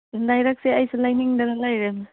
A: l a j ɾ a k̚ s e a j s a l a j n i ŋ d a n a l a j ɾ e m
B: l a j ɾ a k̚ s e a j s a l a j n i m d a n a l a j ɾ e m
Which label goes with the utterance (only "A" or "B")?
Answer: A